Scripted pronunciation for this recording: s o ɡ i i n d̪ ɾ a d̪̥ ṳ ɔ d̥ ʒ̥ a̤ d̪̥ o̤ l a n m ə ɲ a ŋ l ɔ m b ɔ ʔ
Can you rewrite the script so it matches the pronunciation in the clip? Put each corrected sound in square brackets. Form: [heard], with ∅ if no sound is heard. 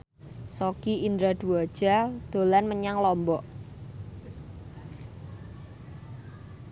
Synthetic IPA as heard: s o [k] i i n d̪ ɾ a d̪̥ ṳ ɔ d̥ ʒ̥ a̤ d̪̥ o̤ l a n m ə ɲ a ŋ l ɔ m b ɔ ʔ